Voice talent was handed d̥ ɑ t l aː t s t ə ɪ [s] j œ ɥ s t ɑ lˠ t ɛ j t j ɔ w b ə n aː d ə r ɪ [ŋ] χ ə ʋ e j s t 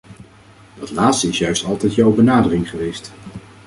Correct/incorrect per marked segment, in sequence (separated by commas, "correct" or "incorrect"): correct, correct